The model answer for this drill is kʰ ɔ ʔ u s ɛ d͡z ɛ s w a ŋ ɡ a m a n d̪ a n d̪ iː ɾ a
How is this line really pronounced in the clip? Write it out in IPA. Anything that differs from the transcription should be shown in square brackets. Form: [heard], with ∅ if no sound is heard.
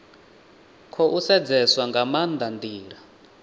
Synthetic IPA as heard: kʰ ɔ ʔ u s ɛ d͡z ɛ s w a ŋ ɡ a m a n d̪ a n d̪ iː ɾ a